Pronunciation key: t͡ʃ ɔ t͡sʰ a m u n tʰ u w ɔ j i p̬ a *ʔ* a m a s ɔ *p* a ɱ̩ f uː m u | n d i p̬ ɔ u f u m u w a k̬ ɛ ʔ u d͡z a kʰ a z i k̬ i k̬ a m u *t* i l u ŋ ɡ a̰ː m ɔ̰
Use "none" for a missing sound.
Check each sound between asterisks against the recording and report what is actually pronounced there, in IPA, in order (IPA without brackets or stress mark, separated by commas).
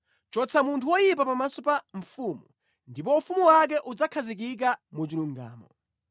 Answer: p, p, t͡ʃ